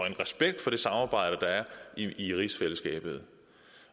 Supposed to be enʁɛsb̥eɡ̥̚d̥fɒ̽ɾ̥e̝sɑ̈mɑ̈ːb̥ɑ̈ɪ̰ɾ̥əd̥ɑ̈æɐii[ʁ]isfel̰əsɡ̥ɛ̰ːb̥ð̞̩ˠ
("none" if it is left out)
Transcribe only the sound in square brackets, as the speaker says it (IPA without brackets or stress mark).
ʁ